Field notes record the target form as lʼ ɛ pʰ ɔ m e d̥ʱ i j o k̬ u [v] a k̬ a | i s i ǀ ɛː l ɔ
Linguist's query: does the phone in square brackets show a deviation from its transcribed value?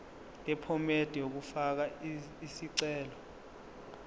yes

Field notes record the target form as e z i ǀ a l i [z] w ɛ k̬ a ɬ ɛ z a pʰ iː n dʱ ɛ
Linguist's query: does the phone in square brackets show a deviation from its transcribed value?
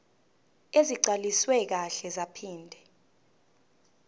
yes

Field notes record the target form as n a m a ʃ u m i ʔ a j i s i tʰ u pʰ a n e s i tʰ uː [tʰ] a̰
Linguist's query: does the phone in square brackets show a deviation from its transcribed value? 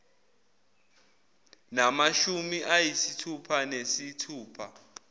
yes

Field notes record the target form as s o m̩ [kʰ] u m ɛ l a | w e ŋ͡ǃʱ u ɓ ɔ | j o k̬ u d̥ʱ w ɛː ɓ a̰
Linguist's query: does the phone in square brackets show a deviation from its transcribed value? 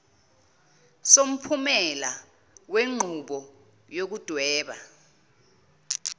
yes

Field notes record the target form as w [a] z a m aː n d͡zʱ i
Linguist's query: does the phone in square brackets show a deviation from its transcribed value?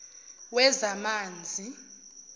yes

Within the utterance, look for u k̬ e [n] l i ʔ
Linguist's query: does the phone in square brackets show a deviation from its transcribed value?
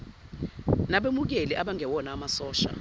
yes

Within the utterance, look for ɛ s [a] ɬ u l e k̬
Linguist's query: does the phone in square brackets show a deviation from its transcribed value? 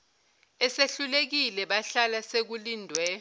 yes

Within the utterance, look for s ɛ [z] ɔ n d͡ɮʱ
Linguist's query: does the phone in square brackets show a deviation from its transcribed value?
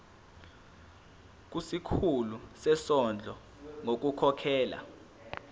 yes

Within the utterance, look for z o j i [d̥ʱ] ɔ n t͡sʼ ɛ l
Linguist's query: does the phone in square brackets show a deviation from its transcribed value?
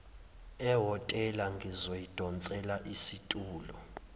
no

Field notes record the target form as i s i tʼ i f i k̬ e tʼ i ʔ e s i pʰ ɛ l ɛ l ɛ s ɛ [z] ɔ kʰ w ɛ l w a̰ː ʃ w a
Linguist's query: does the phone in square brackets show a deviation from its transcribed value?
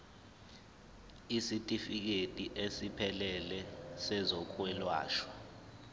no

